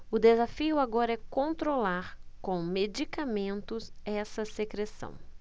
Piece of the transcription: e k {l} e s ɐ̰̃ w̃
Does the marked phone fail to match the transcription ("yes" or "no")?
yes